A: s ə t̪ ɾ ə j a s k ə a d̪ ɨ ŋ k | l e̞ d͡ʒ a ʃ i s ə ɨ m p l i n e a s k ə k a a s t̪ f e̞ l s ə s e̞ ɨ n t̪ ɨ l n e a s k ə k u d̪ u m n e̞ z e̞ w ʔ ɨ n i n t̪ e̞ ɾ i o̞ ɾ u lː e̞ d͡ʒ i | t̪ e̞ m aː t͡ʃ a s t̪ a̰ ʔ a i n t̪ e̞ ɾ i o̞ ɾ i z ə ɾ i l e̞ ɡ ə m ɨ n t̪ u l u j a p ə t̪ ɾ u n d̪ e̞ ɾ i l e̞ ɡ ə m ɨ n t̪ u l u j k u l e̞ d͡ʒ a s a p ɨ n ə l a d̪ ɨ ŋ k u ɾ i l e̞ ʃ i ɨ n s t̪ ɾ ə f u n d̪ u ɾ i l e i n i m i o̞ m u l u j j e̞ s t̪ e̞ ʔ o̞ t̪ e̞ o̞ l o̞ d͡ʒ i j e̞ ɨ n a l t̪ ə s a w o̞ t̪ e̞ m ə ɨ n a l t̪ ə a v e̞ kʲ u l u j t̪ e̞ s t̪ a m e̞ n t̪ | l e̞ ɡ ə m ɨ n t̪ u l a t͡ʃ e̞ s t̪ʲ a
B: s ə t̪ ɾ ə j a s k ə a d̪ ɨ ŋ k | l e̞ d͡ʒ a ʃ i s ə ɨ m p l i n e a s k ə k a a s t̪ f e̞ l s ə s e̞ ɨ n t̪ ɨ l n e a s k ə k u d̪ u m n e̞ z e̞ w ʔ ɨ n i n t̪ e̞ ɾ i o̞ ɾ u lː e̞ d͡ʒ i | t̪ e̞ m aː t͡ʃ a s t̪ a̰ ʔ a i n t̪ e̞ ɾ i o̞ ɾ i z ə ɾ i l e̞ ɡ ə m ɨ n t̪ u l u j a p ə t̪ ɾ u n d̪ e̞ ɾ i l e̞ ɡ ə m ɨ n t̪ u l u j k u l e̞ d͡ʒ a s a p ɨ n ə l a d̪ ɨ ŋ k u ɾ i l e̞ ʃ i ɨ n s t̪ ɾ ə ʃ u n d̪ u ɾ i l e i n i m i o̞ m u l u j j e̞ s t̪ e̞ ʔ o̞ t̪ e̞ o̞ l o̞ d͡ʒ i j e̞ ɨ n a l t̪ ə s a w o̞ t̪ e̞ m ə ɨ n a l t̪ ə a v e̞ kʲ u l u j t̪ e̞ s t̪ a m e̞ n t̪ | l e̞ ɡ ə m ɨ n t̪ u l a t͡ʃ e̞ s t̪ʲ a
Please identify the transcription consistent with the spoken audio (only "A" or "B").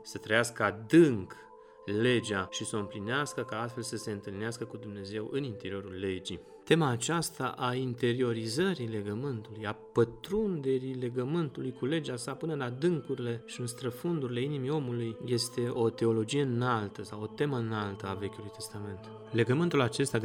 A